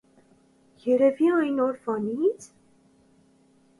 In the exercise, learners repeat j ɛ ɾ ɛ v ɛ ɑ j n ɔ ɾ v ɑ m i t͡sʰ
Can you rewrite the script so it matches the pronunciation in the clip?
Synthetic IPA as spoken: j ɛ ɾ ɛ v i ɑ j n ɔ ɾ v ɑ n i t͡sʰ